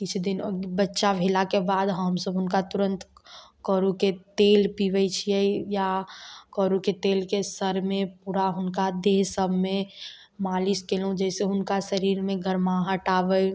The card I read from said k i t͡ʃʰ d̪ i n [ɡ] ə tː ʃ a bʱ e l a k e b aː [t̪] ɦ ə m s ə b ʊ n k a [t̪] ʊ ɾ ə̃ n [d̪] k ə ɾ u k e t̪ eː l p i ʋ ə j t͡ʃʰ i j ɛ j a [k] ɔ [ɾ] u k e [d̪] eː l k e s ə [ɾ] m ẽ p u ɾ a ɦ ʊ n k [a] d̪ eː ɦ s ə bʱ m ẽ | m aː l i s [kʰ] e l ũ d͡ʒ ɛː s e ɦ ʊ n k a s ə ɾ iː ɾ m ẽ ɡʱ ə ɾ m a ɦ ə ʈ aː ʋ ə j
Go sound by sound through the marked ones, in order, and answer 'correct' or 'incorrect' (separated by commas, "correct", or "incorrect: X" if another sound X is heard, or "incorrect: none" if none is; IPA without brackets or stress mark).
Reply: incorrect: b, incorrect: d̪, correct, incorrect: t̪, correct, correct, incorrect: t̪, correct, correct, incorrect: k